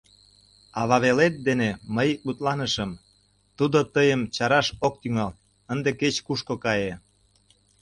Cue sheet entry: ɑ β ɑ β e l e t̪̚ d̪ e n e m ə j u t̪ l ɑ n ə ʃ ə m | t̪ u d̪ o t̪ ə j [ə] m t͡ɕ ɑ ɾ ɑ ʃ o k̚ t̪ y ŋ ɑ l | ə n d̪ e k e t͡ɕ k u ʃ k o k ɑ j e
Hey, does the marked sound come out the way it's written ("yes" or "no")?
yes